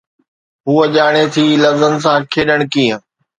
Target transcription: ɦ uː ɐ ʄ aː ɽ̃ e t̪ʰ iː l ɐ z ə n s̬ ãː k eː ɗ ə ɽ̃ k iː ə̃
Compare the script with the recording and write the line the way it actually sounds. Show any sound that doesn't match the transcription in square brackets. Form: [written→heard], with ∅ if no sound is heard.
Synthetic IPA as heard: ɦ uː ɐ ʄ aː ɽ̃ e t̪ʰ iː l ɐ z ə n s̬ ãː [k→kʰ] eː ɗ ə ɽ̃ k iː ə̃